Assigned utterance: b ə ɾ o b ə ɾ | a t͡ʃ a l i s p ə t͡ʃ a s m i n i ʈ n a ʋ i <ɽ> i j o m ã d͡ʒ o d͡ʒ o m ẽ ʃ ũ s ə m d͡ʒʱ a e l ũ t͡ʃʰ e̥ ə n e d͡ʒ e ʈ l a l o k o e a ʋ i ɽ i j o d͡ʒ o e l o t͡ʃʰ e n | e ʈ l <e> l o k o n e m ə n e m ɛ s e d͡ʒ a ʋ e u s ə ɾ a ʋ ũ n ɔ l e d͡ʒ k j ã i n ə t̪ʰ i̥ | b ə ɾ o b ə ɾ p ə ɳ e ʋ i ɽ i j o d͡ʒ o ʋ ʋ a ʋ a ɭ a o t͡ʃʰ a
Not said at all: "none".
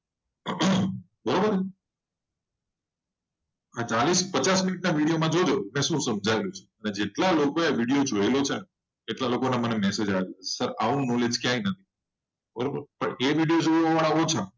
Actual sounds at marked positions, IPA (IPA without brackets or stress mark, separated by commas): ɽ, a